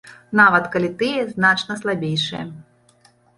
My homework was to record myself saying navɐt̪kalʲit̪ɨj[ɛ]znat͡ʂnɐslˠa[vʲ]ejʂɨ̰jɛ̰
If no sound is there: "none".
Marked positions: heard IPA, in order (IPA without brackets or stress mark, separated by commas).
ɛ, bʲ